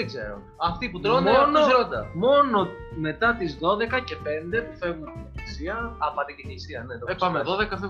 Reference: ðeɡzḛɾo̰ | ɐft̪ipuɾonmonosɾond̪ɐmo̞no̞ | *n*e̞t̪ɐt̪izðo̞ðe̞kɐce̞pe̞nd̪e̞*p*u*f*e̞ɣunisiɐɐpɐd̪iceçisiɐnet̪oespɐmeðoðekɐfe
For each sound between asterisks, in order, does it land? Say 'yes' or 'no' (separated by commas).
no, yes, yes